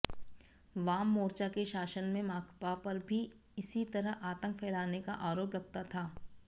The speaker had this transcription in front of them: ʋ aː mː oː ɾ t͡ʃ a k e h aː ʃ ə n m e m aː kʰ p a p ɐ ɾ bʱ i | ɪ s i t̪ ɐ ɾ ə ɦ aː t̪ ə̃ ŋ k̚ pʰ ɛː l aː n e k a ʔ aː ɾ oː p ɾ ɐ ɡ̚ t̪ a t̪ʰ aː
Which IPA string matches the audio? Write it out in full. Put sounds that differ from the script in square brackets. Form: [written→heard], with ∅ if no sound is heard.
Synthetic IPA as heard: ʋ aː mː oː ɾ t͡ʃ a k e [h→ʃ] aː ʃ ə n m [e→ẽ] m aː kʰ p a p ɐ ɾ bʱ i | ɪ s i t̪ ɐ ɾ ə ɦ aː t̪ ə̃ ŋ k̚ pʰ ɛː l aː n e k a ʔ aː ɾ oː p ɾ ɐ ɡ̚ t̪ a t̪ʰ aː